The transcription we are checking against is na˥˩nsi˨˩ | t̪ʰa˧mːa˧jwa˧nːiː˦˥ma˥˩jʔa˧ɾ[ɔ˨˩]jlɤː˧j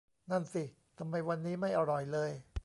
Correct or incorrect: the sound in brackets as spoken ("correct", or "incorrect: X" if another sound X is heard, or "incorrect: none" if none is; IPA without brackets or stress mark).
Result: correct